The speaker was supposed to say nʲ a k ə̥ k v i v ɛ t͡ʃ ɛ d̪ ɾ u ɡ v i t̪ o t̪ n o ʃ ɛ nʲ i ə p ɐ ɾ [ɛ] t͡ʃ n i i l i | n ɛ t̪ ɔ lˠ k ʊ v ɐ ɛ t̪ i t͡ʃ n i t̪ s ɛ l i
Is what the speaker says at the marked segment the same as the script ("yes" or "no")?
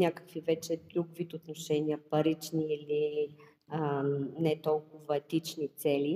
no